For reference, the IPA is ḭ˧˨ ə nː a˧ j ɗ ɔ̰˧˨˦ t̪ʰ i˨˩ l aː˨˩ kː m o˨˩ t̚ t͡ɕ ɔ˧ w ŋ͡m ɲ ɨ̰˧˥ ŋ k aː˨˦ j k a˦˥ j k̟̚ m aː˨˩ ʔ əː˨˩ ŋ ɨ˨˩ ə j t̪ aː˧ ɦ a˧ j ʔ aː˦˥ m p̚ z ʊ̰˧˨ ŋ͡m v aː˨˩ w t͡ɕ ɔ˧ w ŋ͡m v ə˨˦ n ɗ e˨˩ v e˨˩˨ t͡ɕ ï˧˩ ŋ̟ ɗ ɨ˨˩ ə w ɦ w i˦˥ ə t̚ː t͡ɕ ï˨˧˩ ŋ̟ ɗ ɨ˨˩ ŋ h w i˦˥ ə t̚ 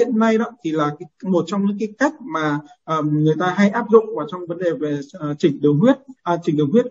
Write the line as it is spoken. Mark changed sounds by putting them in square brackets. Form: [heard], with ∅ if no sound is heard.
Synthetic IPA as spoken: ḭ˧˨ ə nː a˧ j ɗ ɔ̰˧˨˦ t̪ʰ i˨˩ l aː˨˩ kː m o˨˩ t̚ t͡ɕ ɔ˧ w ŋ͡m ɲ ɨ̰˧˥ ŋ k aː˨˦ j k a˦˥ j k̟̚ m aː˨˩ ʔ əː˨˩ ŋ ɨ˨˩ ə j t̪ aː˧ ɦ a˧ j ʔ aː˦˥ [∅] p̚ z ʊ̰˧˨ ŋ͡m v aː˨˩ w t͡ɕ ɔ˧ w ŋ͡m v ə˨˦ n ɗ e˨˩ v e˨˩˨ t͡ɕ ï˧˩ ŋ̟ ɗ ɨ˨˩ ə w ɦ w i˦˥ ə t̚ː t͡ɕ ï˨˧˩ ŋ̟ ɗ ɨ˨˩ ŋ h w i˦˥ ə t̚